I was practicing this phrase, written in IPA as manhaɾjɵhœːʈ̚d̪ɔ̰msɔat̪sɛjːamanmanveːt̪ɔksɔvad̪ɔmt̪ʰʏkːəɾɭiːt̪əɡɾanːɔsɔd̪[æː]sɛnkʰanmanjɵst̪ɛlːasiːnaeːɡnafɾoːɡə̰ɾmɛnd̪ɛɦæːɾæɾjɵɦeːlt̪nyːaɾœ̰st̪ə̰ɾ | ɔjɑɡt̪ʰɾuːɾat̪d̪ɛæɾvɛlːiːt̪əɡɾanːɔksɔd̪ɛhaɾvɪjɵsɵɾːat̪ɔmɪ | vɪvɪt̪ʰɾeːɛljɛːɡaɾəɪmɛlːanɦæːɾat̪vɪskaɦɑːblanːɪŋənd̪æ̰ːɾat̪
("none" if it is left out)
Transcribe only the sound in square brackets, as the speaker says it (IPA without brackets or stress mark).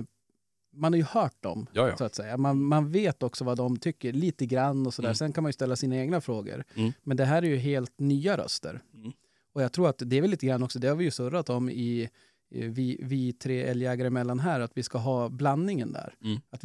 æː